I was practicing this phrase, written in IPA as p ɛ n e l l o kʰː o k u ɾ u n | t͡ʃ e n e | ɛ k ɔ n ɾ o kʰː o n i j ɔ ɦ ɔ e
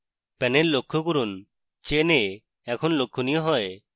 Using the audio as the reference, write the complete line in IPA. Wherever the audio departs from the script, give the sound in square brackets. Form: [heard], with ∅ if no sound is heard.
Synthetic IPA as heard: p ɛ n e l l o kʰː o k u ɾ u n | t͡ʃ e n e | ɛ [kʰ] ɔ n [l] o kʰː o n i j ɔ ɦ ɔ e